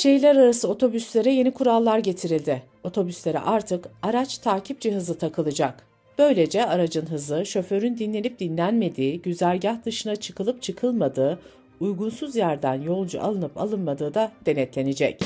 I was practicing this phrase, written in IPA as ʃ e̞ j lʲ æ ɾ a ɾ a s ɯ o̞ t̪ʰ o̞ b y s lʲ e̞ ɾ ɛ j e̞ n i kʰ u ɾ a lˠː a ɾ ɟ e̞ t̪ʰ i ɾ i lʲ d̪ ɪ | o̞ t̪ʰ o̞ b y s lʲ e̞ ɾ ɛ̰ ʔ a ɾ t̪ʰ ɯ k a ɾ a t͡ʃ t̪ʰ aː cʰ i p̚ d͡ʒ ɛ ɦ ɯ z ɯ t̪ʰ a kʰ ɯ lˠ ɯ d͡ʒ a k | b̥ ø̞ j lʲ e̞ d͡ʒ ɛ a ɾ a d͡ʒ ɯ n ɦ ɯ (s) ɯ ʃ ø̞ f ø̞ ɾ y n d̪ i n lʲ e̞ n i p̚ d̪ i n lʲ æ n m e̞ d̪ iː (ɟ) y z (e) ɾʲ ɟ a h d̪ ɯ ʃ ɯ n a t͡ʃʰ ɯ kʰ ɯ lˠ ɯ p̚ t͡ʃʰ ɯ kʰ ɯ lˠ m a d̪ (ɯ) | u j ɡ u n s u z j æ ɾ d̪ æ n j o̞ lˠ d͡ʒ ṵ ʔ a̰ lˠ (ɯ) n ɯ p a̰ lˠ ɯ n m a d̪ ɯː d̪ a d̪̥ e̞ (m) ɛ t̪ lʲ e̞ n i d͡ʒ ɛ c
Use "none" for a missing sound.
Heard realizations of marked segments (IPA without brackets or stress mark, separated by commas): z, ɟ, æ, ɯː, ɯ, n